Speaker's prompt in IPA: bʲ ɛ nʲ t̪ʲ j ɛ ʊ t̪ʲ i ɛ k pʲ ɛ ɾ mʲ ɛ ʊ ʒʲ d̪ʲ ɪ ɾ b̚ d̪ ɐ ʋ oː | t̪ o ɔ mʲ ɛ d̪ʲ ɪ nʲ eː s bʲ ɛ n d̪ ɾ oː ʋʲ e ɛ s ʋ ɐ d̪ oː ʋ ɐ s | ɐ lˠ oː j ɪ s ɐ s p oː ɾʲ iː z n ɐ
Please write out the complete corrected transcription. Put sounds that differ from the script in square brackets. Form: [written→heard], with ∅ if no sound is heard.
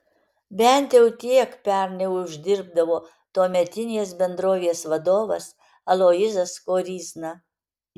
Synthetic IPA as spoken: bʲ ɛ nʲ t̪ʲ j ɛ ʊ t̪ʲ i ɛ k pʲ ɛ ɾ [mʲ→nʲ] ɛ ʊ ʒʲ d̪ʲ ɪ ɾ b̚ d̪ ɐ ʋ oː | t̪ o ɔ mʲ ɛ [d̪ʲ→t̪ʲ] ɪ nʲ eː s bʲ ɛ n d̪ ɾ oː ʋʲ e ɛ s ʋ ɐ d̪ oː ʋ ɐ s | ɐ lˠ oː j ɪ [s→z] ɐ s [p→k] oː ɾʲ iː z n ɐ